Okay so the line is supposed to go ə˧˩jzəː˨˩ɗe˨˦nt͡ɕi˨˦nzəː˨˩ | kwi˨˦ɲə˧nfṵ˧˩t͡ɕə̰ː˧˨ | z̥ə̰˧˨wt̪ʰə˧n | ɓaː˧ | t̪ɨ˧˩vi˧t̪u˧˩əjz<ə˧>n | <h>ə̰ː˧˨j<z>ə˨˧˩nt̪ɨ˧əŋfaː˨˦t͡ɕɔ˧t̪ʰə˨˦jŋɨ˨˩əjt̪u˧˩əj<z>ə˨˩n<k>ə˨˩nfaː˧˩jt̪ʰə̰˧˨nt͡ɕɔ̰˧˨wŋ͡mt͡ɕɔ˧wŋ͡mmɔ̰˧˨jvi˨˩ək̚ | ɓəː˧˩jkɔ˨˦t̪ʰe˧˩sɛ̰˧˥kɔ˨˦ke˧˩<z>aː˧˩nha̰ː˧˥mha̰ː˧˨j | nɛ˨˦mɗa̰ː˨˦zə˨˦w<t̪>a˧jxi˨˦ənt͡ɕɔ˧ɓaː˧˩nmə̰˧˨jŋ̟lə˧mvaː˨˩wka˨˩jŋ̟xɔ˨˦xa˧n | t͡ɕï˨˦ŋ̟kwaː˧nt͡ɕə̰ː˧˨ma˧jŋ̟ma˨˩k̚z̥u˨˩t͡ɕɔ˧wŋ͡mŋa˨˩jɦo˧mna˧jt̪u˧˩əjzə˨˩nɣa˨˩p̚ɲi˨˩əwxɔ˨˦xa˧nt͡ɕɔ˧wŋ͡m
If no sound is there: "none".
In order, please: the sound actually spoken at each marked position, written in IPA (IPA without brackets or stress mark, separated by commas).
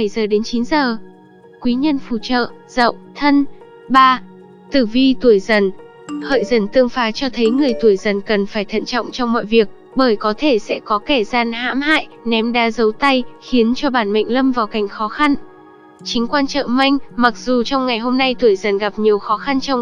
ə˨˩, h, z, z, k, z, t̪